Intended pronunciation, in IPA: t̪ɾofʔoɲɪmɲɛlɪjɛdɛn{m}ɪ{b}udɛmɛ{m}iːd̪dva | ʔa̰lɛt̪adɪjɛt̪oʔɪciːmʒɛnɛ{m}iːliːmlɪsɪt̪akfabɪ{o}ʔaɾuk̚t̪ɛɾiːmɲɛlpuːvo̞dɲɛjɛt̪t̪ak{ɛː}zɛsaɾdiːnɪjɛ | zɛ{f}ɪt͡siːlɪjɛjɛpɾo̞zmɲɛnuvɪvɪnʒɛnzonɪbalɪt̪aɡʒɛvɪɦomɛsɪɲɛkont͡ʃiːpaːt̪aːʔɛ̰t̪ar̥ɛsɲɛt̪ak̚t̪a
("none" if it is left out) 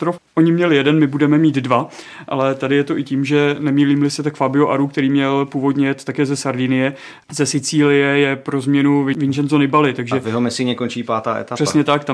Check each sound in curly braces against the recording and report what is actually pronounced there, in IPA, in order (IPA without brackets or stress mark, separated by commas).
m, b, m, m, o, ɛː, s